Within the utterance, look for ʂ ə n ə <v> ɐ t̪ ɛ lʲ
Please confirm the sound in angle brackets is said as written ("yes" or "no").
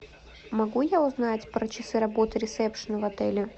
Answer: yes